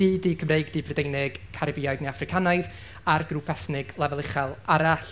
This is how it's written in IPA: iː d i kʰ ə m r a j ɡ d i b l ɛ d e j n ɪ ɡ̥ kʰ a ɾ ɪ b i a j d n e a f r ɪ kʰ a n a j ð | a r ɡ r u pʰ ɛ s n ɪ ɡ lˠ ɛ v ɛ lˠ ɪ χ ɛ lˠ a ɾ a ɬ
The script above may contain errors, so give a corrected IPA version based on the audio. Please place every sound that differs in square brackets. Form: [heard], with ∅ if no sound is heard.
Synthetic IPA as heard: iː d i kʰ ə m r [e] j ɡ d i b [r] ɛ d e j n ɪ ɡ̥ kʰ a ɾ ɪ b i a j d n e a f r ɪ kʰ a n a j ð | a r ɡ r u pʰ ɛ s n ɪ ɡ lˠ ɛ v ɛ lˠ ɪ χ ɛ lˠ a ɾ a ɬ